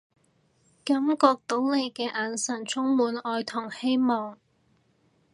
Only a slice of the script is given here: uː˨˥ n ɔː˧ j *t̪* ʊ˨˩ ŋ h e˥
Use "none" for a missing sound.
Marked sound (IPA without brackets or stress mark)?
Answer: t̪ʰ